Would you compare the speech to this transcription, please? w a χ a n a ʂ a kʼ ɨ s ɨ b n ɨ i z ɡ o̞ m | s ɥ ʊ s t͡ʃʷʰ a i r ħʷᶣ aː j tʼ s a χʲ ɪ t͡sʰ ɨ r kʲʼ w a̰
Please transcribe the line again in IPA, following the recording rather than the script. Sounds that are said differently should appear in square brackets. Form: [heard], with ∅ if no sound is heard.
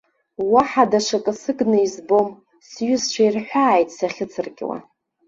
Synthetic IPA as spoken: w a [ħ] a [d] a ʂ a kʼ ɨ s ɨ [ɡ] n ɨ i z [b] o̞ m | s ɥ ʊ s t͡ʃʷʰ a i r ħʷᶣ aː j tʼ s a χʲ ɪ t͡sʰ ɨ r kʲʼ w a̰